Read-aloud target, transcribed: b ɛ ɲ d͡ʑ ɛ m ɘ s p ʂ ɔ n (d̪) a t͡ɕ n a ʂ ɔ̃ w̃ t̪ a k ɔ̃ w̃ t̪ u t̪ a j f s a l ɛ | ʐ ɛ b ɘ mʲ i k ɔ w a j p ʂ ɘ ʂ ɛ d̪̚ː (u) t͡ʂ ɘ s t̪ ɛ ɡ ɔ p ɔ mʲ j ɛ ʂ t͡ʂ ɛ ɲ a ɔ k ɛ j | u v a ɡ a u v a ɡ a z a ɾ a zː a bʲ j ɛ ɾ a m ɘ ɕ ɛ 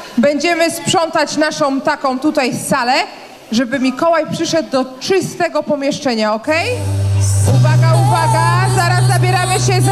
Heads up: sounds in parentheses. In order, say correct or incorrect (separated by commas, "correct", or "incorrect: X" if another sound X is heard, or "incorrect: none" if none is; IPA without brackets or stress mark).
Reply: incorrect: t̪, incorrect: ɔ